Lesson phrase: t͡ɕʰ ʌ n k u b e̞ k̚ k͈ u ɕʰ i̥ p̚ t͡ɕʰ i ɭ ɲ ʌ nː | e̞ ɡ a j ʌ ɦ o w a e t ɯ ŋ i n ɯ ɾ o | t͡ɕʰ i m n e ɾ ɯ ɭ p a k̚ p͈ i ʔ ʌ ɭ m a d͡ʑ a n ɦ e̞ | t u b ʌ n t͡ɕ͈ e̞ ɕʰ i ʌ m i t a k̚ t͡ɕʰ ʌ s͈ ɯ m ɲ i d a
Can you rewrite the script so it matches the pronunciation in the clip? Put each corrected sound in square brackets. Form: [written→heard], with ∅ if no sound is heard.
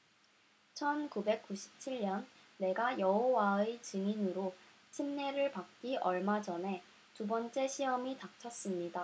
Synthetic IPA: t͡ɕʰ ʌ n k u b e̞ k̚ k͈ u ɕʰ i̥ p̚ t͡ɕʰ i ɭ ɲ ʌ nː | e̞ ɡ a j ʌ ɦ o w a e [t→t͡ɕ] ɯ ŋ i n ɯ ɾ o | t͡ɕʰ i m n e ɾ ɯ ɭ p a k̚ [p͈→k͈] i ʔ ʌ ɭ m a d͡ʑ [a→ʌ] n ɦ e̞ | t u b ʌ n t͡ɕ͈ e̞ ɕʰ i ʌ m i t a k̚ t͡ɕʰ ʌ s͈ ɯ m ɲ i d a